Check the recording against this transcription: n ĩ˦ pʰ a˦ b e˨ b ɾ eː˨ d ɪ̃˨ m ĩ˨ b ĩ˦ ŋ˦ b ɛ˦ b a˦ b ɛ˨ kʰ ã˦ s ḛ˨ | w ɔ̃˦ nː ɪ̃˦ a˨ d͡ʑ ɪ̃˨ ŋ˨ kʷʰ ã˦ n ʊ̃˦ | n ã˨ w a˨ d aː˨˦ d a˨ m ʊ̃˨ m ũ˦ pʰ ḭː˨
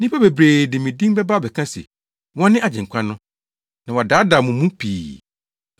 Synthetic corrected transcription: n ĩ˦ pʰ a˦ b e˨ b ɾ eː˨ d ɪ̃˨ m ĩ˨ d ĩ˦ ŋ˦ b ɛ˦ b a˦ b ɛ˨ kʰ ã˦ s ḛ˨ | w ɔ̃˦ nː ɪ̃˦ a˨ d͡ʑ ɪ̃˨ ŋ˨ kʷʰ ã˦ n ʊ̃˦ | n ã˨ w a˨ d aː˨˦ d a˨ m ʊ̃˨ m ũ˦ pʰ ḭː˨